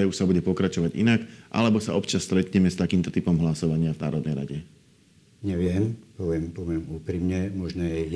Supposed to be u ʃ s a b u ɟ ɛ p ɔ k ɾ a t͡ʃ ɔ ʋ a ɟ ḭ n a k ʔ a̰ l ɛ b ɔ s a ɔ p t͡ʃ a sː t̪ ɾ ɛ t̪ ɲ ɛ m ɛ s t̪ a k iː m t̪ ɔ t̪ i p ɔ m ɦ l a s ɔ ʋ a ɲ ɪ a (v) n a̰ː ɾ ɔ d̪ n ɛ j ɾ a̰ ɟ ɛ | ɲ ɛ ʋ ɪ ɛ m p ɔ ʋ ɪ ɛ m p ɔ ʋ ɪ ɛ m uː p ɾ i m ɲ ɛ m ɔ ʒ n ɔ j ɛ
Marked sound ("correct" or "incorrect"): correct